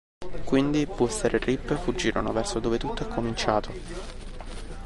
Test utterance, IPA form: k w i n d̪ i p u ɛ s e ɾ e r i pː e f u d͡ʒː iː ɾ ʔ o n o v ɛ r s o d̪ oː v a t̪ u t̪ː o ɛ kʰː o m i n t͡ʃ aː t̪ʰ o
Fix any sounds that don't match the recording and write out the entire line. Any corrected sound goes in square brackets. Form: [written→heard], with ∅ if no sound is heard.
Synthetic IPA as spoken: k w i n d̪ i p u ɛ s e ɾ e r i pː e f u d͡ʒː iː ɾ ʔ o n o v ɛ r s o d̪ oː v [a→e] t̪ u t̪ː o ɛ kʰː o m i n t͡ʃ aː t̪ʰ o